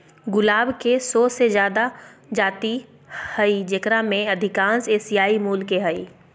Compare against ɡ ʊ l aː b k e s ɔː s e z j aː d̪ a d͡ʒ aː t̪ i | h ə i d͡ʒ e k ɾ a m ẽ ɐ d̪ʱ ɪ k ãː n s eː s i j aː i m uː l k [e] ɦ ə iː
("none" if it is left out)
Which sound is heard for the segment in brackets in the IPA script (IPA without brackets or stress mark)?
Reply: e